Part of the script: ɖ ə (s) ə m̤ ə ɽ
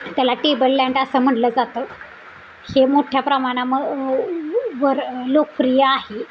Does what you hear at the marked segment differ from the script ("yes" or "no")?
no